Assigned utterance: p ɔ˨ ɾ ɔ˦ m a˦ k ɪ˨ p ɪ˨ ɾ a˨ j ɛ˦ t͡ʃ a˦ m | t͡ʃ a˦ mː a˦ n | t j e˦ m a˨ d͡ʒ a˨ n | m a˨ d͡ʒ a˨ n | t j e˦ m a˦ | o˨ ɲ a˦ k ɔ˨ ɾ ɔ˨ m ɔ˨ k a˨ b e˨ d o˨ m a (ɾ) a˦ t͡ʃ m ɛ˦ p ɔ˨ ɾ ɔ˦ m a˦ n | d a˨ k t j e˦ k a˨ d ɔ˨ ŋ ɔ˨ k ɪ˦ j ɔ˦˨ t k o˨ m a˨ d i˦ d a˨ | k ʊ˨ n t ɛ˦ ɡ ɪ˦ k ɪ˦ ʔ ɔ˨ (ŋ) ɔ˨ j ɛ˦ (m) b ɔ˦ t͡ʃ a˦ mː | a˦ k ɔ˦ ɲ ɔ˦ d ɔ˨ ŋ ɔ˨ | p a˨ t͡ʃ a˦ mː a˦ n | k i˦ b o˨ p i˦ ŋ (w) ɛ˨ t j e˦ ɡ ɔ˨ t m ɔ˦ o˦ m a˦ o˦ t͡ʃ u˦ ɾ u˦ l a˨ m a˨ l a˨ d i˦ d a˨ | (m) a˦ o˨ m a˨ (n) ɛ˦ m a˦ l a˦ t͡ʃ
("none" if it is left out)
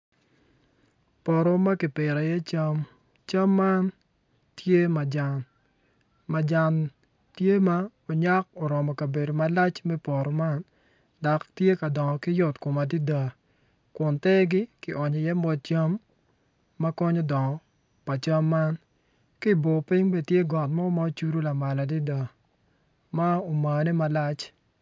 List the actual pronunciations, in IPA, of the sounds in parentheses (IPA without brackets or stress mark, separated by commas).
l, ɲ, m, b, m, n